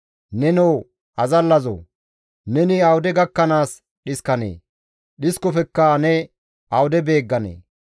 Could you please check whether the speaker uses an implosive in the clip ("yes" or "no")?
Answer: yes